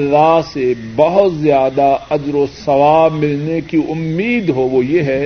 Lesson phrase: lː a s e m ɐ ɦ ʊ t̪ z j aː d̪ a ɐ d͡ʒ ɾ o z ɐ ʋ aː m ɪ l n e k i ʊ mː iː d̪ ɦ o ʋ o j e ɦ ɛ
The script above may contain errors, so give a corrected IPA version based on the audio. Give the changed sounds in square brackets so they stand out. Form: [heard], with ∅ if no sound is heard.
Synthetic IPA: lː a s e [b] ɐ ɦ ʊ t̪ z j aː d̪ a ɐ d͡ʒ ɾ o [s] ɐ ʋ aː m ɪ l n e k i ʊ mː iː d̪ ɦ o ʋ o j e ɦ ɛ